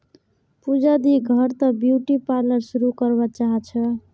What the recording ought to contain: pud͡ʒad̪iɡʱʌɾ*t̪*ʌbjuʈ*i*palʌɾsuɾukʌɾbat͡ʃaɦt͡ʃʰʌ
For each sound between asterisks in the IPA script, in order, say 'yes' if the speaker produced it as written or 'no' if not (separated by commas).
yes, yes